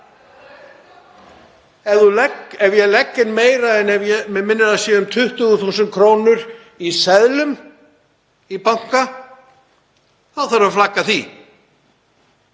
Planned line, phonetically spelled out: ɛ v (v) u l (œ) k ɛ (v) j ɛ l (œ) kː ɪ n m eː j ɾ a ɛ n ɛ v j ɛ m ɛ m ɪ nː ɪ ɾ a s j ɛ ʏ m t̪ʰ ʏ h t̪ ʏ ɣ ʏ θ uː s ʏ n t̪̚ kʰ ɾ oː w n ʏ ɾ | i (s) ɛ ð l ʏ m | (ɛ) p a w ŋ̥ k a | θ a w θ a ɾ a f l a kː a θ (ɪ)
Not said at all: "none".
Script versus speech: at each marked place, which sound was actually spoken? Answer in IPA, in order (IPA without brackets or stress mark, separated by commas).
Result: ð, ɛ, v, ɛ, s, i, i